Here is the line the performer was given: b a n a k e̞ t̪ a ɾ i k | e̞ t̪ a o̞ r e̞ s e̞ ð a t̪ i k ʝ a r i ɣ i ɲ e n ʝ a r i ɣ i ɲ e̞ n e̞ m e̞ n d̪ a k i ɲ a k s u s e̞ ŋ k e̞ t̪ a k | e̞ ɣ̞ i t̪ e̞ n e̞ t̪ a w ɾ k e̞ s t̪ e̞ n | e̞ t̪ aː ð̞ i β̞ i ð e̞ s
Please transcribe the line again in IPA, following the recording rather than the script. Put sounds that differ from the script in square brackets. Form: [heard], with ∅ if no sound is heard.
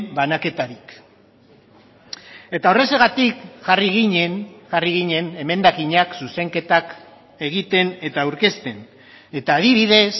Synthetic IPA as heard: b a n a k e̞ t̪ a ɾ i k | e̞ t̪ a o̞ r e̞ s e̞ [ɣ] a t̪ i k ʝ a r i ɣ i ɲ e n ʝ a r i ɣ i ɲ e̞ n e̞ m e̞ n d̪ a k i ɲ a k s u s e̞ ŋ k e̞ t̪ a k | e̞ ɣ̞ i t̪ e̞ n e̞ t̪ a w ɾ k e̞ s t̪ e̞ n | e̞ t̪ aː ð̞ i β̞ i ð e̞ s